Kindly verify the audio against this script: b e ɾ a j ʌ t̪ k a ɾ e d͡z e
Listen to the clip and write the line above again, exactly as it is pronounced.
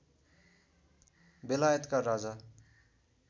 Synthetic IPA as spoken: b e l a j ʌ t̪ k a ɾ a d͡z a